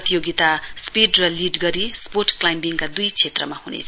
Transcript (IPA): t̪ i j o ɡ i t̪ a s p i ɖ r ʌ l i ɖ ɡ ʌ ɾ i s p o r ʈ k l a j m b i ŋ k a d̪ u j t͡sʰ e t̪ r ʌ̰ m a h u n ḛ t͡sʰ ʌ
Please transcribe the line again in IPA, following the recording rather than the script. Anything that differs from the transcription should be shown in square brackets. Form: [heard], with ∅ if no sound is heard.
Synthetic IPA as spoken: t̪ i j o ɡ i t̪ a s p i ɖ r ʌ l i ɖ ɡ ʌ ɾ i s p o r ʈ k l a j m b i ŋ k a d̪ u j t͡sʰ e t̪ r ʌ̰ m a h u n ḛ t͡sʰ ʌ